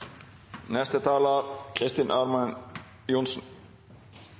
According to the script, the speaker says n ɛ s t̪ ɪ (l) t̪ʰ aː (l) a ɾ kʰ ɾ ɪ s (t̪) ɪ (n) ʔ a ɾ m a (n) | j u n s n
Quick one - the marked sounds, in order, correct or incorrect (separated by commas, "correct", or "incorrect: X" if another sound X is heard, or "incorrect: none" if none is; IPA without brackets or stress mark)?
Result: incorrect: none, correct, correct, correct, correct